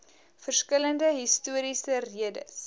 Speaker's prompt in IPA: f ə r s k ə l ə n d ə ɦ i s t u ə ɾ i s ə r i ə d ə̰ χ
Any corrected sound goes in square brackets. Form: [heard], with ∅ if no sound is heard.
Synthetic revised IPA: f ə r s k ə l ə n d ə ɦ i s t u ə ɾ i s ə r i ə d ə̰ [s]

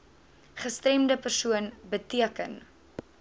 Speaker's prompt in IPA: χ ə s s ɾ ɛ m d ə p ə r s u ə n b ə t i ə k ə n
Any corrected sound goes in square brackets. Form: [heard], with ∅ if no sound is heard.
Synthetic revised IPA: χ ə s [t] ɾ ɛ m d ə p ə r s u ə n b ə t i ə k ə n

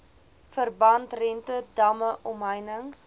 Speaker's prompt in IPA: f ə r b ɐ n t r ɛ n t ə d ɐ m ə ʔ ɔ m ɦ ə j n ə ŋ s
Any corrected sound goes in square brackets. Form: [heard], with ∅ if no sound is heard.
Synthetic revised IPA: f ə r b ɐ n t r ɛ n t ə d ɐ m ə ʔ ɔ m ɦ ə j n ə ŋ s

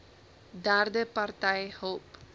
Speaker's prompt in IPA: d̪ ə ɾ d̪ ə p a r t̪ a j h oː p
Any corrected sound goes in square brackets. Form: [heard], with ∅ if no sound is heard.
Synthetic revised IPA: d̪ [a] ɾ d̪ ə p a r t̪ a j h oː p

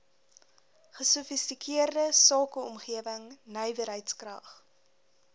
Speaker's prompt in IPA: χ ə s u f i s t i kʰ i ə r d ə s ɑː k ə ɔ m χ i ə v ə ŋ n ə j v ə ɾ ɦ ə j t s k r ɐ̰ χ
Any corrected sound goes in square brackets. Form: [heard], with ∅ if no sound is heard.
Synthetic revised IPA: χ ə s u f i s t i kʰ i ə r d ə s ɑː k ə ɔ m χ i ə v ə ŋ n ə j v ə ɾ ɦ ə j t s k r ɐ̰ χ

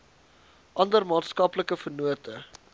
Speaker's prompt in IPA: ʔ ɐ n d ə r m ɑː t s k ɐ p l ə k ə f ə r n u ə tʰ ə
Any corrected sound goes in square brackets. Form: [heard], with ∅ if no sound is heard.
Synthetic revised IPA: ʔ ɐ n d ə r m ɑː t s k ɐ p l ə k ə f ə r n u ə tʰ ə

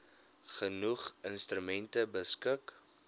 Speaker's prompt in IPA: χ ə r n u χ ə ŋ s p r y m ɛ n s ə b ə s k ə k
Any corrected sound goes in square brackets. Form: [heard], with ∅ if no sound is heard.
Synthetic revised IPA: χ ə [∅] n u χ ə [n] s [t] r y m ɛ n [t] ə b ə s k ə k

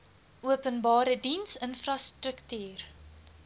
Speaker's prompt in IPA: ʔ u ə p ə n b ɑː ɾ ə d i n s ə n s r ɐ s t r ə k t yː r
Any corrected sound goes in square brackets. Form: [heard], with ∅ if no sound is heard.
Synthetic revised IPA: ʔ u ə p ə n b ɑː ɾ ə d i n s ə n [f] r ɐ s t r ə k t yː r

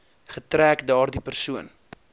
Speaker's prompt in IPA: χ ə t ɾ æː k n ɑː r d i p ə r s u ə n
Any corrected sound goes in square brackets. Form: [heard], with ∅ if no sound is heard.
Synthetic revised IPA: χ ə t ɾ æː k [d] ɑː r d i p ə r s u ə n

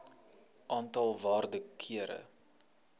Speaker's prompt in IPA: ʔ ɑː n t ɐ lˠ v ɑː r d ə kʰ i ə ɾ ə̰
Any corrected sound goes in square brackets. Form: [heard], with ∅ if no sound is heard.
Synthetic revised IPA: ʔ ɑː n t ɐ lˠ v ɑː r d ə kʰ i ə ɾ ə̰

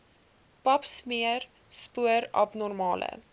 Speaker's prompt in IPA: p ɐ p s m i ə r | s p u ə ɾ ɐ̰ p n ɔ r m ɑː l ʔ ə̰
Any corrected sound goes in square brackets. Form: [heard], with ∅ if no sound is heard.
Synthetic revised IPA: p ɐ p s m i ə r | s p u ə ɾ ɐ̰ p n ɔ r m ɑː l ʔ ə̰

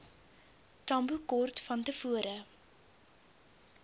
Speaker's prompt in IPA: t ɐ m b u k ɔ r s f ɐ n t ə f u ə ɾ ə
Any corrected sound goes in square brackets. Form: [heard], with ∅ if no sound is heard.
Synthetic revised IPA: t ɐ m b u k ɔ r [t] f ɐ n t ə f u ə ɾ ə

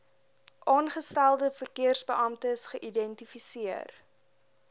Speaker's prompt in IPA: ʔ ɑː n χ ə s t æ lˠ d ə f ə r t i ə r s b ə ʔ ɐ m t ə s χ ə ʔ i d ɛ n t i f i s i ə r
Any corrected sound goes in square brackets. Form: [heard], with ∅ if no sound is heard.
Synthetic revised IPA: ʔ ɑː n χ ə s t æ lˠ d ə f ə r [k] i ə r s b ə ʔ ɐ m t ə s χ ə ʔ i d ɛ n t i f i s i ə r

